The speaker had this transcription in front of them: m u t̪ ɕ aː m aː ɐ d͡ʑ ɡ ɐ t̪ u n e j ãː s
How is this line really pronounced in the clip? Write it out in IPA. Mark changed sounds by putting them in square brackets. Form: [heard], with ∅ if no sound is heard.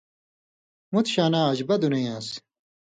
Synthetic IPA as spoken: m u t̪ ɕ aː [n] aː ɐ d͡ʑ [b] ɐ [d̪] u n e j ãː s